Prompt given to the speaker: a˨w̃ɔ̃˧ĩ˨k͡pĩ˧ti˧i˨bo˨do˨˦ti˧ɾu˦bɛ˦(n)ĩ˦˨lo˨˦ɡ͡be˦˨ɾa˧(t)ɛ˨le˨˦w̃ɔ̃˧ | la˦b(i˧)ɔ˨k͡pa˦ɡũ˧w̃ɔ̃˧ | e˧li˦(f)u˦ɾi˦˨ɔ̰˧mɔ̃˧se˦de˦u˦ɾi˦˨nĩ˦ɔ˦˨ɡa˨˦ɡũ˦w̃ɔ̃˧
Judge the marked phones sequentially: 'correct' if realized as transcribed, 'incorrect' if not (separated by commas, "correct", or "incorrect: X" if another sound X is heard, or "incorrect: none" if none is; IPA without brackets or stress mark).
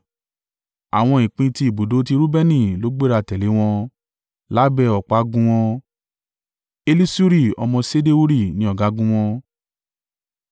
correct, correct, incorrect: ɛ˧, incorrect: s